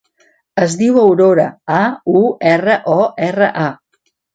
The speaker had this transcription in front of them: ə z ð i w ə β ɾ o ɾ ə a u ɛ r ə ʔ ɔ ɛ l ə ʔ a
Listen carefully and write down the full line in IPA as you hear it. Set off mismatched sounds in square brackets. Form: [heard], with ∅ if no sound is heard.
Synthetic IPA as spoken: ə z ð i w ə [w] ɾ o ɾ ə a u ɛ r ə ʔ ɔ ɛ [r] ə ʔ a